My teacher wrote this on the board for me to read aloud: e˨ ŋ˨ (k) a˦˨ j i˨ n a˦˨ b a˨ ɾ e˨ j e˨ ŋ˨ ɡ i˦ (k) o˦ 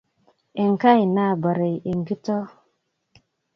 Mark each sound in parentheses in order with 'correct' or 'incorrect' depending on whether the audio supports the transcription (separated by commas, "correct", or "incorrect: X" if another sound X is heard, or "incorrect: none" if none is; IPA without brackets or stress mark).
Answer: correct, incorrect: t